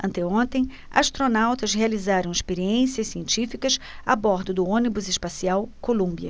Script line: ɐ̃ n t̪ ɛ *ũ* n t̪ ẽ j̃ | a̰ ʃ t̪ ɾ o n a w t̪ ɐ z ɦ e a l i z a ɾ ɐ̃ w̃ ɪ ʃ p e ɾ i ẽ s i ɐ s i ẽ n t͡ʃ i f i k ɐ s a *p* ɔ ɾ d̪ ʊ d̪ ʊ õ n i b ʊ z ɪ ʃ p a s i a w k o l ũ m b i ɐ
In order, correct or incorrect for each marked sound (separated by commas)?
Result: incorrect, incorrect